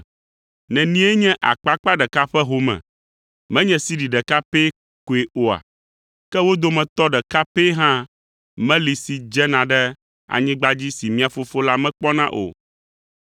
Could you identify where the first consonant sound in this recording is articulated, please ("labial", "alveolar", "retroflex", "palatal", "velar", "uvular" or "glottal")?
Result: alveolar